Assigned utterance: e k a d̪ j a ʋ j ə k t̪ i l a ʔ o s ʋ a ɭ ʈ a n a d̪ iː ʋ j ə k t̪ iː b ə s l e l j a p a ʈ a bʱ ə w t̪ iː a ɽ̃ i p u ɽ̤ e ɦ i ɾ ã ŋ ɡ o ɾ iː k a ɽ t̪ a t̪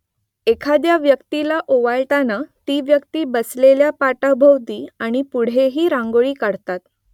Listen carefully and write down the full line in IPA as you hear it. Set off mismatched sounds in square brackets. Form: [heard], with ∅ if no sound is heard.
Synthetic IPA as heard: e [kʰ] a d̪ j a ʋ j ə k t̪ i l a ʔ o [∅] ʋ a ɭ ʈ a n a [t̪] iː ʋ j ə k t̪ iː b ə s l e l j a p a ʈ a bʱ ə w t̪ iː a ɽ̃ i p u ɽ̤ e ɦ [iː] ɾ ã ŋ ɡ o [ɭ] iː k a ɽ t̪ a t̪